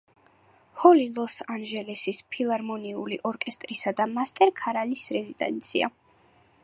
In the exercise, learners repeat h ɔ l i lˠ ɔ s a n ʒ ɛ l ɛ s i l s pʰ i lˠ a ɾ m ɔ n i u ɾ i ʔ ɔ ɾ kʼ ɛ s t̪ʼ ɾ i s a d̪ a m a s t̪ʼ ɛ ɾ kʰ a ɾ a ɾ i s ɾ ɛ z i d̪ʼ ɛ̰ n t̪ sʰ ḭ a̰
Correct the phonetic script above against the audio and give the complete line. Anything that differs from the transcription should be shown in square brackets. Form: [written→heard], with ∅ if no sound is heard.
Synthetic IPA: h ɔ l i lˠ ɔ s a n ʒ ɛ l ɛ s i [l→∅] s pʰ i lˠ a ɾ m ɔ n i u [ɾ→l] i ʔ ɔ ɾ kʼ ɛ s t̪ʼ ɾ i s a d̪ a m a s t̪ʼ ɛ ɾ kʰ a ɾ a [ɾ→l] i s ɾ ɛ z i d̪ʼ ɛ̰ n t̪ sʰ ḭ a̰

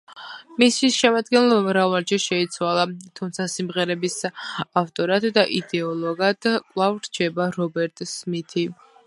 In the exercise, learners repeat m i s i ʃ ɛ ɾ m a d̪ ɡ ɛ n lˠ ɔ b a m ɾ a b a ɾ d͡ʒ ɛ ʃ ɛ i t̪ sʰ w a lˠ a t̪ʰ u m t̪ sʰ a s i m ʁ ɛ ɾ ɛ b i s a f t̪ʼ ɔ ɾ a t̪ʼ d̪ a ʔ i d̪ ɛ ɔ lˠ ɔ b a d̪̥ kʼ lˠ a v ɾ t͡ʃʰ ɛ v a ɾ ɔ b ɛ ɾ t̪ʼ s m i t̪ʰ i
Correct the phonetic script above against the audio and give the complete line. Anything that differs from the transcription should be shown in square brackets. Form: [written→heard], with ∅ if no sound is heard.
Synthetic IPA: m i s i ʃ ɛ [ɾ→∅] m a d̪ ɡ ɛ n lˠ ɔ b a m ɾ a [b→v] a ɾ d͡ʒ ɛ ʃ ɛ i t̪ sʰ w a lˠ a t̪ʰ u m t̪ sʰ a s i m ʁ ɛ ɾ ɛ b i s a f t̪ʼ ɔ ɾ a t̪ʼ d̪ a ʔ i d̪ ɛ ɔ lˠ ɔ [b→ɡ] a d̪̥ kʼ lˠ a v ɾ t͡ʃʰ ɛ [v→b] a ɾ ɔ b ɛ ɾ t̪ʼ s m i t̪ʰ i

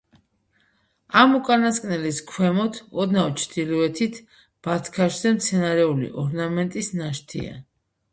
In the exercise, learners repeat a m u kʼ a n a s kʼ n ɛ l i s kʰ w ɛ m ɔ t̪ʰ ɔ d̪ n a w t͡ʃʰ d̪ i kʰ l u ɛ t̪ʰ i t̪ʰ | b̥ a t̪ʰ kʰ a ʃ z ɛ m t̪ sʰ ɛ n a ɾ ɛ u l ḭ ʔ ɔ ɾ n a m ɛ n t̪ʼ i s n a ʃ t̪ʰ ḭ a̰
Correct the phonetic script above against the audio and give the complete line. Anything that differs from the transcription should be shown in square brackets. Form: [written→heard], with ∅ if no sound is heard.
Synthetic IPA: a m u kʼ a n a s kʼ n ɛ l i s kʰ w ɛ m ɔ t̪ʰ ɔ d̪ n a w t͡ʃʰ d̪ i [kʰ→∅] l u ɛ t̪ʰ i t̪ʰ | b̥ a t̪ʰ kʰ a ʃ z ɛ m t̪ sʰ ɛ n a ɾ ɛ u l ḭ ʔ ɔ ɾ n a m ɛ n t̪ʼ i s n a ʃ t̪ʰ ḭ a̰

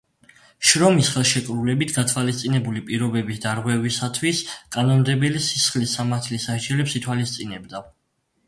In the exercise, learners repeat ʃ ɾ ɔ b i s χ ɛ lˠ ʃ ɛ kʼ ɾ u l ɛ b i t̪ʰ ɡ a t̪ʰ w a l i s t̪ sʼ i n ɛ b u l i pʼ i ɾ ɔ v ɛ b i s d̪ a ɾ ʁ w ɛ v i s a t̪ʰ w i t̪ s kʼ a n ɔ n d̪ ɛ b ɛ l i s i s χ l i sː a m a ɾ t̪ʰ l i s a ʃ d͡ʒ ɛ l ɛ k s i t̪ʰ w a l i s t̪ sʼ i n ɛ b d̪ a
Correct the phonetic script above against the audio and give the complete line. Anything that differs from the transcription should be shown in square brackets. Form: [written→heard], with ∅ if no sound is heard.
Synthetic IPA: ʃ ɾ ɔ [b→m] i s χ ɛ lˠ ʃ ɛ kʼ ɾ u l ɛ b i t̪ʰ ɡ a t̪ʰ w a l i s t̪ sʼ i n ɛ b u l i pʼ i ɾ ɔ [v→b] ɛ b i s d̪ a ɾ ʁ w ɛ v i s a t̪ʰ w i [t̪→∅] s kʼ a n ɔ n d̪ ɛ b ɛ l i s i s χ l i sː a m a ɾ t̪ʰ l i s a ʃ d͡ʒ ɛ l ɛ [k→p] s i t̪ʰ w a l i s t̪ sʼ i n ɛ b d̪ a

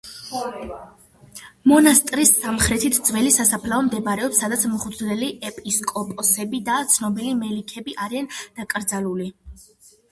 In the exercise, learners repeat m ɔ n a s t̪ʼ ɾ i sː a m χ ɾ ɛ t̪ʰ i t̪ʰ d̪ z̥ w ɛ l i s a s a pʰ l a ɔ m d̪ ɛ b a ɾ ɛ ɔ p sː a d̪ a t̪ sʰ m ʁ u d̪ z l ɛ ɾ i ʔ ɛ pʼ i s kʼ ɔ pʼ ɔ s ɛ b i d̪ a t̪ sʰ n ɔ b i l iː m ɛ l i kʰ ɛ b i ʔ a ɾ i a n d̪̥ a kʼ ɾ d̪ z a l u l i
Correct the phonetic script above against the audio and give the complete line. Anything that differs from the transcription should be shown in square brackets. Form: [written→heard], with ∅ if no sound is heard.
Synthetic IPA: m ɔ n a s t̪ʼ ɾ i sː a m χ ɾ ɛ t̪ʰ i t̪ʰ d̪ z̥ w ɛ l i s a s a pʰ l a ɔ m d̪ ɛ b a ɾ ɛ ɔ p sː a d̪ a t̪ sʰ m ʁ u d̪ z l ɛ [ɾ→l] i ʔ ɛ pʼ i s kʼ ɔ pʼ ɔ s ɛ b i d̪ a t̪ sʰ n ɔ b i l [iː→i] m ɛ l i kʰ ɛ b i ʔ a ɾ i a n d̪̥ a kʼ ɾ d̪ z a l u l i

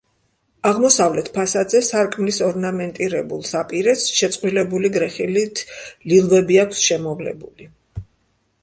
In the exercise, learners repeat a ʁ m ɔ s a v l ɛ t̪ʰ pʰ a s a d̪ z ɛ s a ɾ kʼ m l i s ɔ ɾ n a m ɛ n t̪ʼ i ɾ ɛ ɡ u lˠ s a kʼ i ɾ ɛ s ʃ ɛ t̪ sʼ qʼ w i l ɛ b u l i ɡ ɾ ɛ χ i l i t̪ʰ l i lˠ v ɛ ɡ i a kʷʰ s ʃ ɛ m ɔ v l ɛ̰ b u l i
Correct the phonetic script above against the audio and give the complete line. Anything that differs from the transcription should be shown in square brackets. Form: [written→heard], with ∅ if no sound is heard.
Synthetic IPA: a ʁ m ɔ s a v l ɛ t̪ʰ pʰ a s a d̪ z ɛ s a ɾ kʼ m l i s ɔ ɾ n a m ɛ n t̪ʼ i ɾ ɛ [ɡ→b] u lˠ s a [kʼ→pʼ] i ɾ ɛ s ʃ ɛ t̪ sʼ qʼ w i l ɛ b u l i ɡ ɾ ɛ χ i l i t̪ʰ l i lˠ v ɛ [ɡ→b] i a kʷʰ s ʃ ɛ m ɔ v l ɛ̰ b u l i

